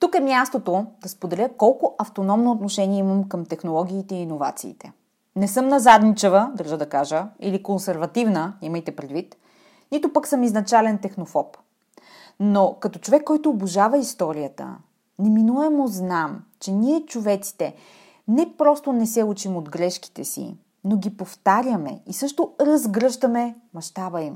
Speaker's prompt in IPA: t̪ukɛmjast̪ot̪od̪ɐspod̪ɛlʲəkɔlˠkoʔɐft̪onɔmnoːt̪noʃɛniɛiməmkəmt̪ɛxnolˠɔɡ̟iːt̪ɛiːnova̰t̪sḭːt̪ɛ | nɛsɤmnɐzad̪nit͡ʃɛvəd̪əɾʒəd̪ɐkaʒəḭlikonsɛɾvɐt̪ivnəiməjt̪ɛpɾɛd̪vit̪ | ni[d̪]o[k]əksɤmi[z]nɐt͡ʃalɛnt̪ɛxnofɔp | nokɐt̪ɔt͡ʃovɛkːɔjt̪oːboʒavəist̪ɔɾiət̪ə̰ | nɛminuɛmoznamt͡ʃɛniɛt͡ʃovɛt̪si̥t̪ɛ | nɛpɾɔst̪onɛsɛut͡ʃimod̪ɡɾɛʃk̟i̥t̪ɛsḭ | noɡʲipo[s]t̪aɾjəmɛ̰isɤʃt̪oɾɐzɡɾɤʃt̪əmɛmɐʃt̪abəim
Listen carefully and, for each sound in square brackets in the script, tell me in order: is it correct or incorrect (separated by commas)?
incorrect, incorrect, correct, incorrect